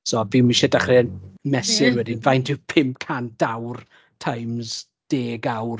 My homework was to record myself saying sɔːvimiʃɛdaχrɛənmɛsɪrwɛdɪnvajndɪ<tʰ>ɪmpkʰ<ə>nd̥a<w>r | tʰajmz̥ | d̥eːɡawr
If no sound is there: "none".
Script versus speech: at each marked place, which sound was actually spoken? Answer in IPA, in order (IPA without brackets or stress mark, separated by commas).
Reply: pʰ, a, w